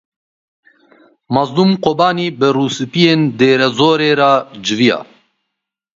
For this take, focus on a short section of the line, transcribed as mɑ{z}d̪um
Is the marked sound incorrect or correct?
correct